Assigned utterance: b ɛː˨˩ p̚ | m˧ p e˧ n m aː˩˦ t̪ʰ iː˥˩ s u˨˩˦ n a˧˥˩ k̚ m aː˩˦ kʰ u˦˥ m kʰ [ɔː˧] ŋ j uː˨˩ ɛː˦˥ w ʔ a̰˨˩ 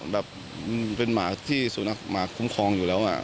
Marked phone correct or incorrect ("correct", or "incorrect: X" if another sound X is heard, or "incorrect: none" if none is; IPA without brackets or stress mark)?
correct